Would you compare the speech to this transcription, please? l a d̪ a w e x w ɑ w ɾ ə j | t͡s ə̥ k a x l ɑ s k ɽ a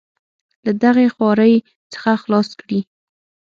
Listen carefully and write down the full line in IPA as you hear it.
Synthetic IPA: l a d̪ a ɣ e x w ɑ ɾ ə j | t͡s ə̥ x a x l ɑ s k ɽ i